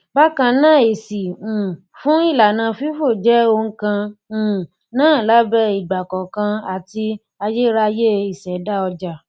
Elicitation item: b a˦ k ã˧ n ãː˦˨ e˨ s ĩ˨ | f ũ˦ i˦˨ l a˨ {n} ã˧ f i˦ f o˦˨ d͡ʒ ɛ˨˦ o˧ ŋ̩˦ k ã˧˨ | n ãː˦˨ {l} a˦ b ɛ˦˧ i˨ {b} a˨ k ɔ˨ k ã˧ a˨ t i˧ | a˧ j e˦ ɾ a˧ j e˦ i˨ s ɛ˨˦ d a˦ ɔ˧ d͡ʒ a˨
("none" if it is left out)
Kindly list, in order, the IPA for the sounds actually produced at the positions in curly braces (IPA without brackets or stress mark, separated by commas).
n, l, ɡ͡b